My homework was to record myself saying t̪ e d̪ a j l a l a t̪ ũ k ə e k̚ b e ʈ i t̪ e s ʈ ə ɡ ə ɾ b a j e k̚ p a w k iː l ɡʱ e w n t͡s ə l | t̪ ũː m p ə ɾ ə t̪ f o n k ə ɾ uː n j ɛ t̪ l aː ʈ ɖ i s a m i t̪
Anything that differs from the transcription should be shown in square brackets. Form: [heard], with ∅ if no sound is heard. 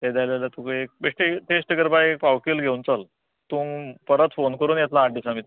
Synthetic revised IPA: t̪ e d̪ a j l a l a t̪ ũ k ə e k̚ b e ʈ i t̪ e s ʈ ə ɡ ə ɾ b a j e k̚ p a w k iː l ɡʱ e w n t͡s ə l | t̪ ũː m p ə ɾ ə t̪ f o n k ə ɾ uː n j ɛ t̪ l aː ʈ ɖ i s a m i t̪